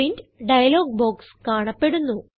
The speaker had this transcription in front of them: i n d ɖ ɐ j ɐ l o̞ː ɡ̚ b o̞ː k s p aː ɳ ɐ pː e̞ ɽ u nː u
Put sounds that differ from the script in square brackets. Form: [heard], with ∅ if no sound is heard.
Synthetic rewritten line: i n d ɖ ɐ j ɐ l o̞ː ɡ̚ b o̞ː k s [k] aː ɳ ɐ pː e̞ ɽ u nː u